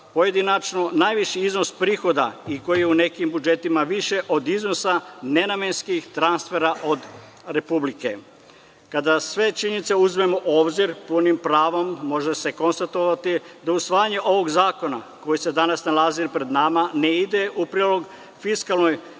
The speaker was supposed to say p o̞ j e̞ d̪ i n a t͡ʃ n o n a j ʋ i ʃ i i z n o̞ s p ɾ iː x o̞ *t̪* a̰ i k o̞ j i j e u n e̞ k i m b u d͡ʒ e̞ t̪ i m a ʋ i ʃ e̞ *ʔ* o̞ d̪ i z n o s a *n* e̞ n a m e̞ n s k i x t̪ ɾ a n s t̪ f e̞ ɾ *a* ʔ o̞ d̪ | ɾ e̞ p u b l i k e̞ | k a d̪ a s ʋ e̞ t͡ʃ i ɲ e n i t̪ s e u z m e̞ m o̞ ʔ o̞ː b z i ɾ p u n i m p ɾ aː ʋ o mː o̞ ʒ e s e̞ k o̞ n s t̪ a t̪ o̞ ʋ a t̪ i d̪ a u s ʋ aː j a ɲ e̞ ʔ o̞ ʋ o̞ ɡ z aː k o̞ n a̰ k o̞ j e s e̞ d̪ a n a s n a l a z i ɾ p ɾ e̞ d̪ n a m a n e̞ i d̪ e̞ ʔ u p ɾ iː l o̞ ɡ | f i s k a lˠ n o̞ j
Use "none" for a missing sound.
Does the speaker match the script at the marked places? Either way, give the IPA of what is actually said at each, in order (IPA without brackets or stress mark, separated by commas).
d̪, ʔ, n, a